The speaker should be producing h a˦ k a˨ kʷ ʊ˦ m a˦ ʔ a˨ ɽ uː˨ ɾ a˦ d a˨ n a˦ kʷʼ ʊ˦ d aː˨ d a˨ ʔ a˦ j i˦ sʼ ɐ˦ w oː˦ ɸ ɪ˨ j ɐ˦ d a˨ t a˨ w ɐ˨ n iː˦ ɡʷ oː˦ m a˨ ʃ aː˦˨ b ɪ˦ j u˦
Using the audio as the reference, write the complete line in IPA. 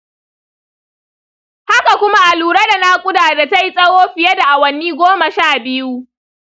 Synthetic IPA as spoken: h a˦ k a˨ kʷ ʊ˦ m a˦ ʔ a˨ l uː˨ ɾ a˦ d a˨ n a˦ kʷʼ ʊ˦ d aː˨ d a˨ t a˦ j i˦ sʼ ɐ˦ w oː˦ ɸ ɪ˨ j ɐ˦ d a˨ ʔ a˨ w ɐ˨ n iː˦ ɡʷ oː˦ m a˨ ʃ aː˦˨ b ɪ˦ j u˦